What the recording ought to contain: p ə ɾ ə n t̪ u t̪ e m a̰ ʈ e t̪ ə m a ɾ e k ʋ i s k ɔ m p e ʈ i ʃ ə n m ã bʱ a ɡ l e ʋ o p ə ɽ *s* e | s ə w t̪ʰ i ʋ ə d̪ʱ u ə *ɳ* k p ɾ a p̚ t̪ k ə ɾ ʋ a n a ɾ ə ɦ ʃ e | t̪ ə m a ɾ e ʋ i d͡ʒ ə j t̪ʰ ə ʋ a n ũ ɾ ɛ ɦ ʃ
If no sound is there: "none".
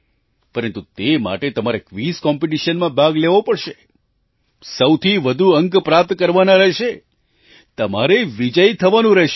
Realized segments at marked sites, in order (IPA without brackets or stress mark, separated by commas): ʃ, ŋ